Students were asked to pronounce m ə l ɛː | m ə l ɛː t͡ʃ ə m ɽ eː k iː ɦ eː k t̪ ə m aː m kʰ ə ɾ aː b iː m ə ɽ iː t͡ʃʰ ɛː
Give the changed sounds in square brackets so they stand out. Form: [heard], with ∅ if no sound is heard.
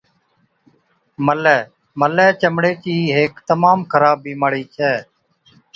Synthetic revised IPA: m ə l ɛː | m ə l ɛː t͡ʃ ə m ɽ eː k iː ɦ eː k t̪ ə m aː m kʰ ə ɾ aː b iː m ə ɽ iː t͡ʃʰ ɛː